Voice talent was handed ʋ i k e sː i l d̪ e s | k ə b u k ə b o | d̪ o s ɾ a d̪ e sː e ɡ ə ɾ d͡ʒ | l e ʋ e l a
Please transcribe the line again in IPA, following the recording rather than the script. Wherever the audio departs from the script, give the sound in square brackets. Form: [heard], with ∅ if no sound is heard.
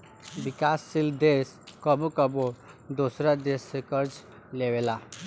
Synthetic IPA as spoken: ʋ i k [a] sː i l d̪ e s | k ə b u k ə b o | d̪ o s ɾ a d̪ e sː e [k] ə ɾ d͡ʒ | l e ʋ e l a